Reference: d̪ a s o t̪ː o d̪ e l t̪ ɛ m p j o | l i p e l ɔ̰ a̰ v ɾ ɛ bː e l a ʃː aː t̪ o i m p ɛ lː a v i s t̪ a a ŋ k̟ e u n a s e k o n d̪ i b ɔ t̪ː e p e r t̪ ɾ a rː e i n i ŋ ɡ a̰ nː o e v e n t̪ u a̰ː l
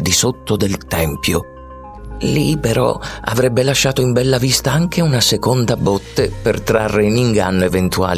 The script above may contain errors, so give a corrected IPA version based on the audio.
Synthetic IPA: d̪ i s o t̪ː o d̪ e l t̪ ɛ m p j o | l i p e ɾ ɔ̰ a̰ v ɾ ɛ bː e l a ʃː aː t̪ o i m b ɛ lː a v i s t̪ a a ŋ k̟ e u n a s e k o n d̪ a b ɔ t̪ː e p e r t̪ ɾ a rː e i n i ŋ ɡ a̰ nː o e v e n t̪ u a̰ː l